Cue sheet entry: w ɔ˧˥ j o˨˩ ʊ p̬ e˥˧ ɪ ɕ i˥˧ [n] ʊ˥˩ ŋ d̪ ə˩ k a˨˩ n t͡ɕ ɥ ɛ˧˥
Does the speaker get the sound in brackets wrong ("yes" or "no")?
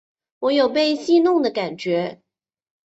no